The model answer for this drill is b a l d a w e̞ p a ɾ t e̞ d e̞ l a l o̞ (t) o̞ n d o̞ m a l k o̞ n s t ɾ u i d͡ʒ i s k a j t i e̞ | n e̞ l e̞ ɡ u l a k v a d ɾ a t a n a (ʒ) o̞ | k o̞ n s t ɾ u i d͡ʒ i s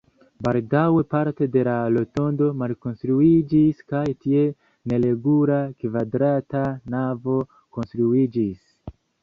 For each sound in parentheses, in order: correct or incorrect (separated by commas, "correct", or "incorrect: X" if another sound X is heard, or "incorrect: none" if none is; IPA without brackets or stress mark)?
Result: correct, incorrect: v